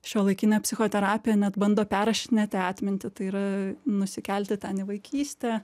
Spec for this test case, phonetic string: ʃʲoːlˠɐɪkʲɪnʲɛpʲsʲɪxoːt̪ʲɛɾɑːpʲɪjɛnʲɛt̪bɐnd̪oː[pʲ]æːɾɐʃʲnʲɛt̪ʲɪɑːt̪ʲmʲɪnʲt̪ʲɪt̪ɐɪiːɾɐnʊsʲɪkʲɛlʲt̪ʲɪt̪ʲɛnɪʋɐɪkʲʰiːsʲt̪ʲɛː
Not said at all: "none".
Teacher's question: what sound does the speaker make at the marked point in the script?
pʲ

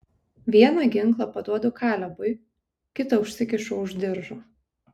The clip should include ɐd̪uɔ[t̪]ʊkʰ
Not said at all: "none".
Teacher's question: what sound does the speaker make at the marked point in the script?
d̪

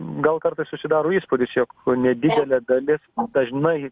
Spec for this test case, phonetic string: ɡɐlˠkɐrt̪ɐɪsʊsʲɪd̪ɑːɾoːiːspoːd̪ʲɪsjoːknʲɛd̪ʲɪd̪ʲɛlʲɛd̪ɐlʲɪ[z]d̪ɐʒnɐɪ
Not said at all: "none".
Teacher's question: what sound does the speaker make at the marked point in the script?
s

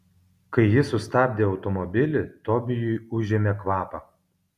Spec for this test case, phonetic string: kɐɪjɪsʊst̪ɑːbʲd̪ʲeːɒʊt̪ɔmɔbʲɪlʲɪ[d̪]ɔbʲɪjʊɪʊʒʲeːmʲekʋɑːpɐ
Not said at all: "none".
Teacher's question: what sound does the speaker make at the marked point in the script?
t̪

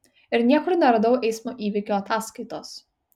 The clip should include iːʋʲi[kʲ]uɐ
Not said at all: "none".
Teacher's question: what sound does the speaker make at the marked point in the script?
kʲ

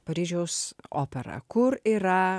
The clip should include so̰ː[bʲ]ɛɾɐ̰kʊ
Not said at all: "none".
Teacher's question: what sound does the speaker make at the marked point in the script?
pʲ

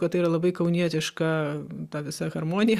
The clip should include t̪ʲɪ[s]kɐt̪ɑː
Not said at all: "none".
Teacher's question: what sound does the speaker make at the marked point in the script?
ʃ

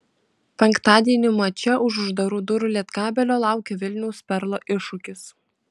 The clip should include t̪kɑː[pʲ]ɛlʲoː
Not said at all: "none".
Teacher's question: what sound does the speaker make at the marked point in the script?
bʲ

